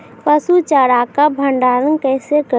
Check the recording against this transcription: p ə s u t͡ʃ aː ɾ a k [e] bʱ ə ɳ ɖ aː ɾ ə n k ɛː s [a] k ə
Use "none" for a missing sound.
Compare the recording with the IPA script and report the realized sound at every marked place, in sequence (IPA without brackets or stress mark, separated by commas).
a, e